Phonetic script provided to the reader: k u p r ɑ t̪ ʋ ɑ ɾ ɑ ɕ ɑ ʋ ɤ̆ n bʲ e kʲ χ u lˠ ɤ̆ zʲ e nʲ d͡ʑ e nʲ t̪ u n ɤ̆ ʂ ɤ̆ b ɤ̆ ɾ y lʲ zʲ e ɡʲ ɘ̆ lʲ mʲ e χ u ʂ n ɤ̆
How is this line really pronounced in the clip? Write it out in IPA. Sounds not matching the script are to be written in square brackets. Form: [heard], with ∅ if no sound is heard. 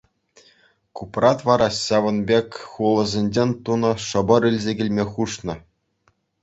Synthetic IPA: k u p r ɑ t̪ ʋ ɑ ɾ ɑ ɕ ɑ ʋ ɤ̆ n bʲ e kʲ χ u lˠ ɤ̆ zʲ e nʲ d͡ʑ e nʲ t̪ u n ɤ̆ ʂ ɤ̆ b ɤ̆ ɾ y lʲ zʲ e ɡʲ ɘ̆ lʲ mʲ e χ u ʂ n ɤ̆